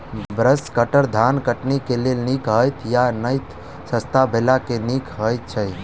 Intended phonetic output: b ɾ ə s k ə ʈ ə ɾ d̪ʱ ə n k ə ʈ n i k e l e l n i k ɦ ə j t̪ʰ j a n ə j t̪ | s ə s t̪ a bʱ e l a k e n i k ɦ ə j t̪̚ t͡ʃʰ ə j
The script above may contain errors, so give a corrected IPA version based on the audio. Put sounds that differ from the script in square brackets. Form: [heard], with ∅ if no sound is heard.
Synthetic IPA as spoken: b ɾ ə s k ə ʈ ə ɾ d̪ʱ [a] n k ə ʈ n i k e l e l n i k ɦ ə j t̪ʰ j a n ə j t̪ | s ə s t̪ a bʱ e l a k e n i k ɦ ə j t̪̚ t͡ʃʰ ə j